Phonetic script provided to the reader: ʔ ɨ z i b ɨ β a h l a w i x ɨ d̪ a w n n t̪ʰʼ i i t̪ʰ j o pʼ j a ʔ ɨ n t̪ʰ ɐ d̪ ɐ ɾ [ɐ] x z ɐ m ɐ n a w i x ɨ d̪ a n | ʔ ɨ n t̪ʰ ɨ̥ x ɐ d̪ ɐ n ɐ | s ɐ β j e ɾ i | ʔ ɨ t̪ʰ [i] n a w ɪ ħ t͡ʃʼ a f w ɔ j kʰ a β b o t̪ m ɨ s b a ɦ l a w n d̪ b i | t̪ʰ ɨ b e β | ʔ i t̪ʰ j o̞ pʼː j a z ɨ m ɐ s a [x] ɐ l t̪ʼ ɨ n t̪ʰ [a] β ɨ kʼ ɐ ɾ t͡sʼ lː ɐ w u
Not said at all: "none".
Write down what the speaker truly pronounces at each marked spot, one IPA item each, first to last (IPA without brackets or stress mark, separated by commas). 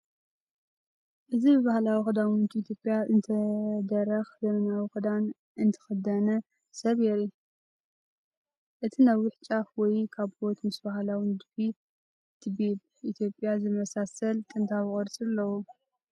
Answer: ɐ, i, s, a